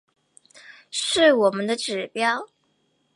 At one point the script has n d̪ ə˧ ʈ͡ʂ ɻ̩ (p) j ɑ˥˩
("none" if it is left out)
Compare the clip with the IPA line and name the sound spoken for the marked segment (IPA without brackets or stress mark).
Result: p